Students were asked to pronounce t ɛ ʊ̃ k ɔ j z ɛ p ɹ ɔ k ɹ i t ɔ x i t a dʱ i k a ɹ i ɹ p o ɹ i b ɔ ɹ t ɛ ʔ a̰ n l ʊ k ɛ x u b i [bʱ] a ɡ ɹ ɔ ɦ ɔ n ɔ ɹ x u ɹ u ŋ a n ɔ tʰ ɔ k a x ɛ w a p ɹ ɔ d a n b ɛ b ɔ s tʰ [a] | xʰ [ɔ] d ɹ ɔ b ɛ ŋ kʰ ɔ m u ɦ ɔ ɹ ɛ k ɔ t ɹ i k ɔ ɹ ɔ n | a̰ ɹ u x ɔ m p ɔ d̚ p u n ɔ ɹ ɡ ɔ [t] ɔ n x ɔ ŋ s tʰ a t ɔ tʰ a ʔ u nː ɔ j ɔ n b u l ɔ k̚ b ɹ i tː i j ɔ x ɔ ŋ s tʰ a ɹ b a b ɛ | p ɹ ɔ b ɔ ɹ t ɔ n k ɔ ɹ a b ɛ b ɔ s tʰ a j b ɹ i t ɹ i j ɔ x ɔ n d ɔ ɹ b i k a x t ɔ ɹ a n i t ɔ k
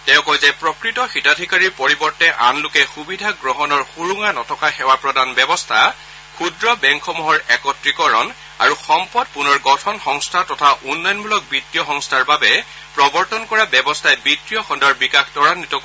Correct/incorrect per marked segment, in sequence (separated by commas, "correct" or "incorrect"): incorrect, correct, incorrect, incorrect